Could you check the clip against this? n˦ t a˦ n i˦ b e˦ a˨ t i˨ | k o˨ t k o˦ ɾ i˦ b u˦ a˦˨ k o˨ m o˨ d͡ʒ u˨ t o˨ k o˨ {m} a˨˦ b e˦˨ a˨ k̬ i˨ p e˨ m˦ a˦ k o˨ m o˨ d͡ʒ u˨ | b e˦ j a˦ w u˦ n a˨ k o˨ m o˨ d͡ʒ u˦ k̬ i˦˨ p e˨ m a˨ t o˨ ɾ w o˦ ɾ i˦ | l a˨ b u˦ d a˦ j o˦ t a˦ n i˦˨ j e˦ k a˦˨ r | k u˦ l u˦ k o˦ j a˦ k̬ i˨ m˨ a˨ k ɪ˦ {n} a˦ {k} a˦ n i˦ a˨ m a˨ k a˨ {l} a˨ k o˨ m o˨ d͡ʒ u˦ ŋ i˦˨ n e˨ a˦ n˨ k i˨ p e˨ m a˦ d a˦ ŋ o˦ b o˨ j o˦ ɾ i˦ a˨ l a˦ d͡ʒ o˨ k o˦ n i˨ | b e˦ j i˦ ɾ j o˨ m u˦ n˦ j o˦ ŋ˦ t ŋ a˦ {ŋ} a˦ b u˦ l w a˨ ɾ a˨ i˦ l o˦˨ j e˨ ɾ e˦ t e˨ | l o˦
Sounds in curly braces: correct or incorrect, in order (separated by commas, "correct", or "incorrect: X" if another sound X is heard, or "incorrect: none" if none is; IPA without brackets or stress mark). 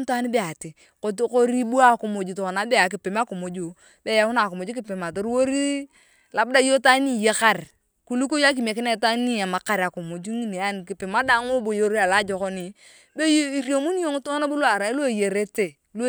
incorrect: n, correct, incorrect: t, incorrect: ɾ, incorrect: n